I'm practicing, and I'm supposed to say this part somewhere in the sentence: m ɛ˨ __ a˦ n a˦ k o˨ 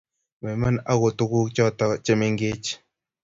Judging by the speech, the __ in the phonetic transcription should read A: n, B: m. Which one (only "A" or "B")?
B